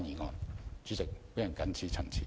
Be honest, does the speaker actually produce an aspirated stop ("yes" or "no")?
yes